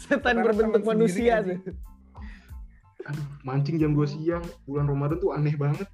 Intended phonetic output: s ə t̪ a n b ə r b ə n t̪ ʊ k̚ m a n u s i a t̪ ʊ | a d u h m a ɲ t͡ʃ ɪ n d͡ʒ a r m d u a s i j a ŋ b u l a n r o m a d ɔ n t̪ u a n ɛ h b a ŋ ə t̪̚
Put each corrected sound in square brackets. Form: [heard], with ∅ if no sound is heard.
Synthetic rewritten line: s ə t̪ a n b ə r b ə n t̪ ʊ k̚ m a n u s i a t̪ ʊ | a d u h m a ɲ t͡ʃ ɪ [ŋ] d͡ʒ a [∅] m d u a s i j a ŋ b u l a n r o m a d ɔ n t̪ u a n ɛ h b a ŋ ə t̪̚